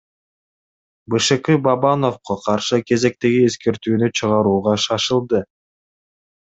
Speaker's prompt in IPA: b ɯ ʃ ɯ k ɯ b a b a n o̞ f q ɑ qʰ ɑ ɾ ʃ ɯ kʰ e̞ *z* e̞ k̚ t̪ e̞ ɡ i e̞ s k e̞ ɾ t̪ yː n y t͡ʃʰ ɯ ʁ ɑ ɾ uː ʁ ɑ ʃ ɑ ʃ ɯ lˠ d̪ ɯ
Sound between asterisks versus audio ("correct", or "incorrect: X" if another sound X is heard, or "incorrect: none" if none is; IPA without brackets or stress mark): correct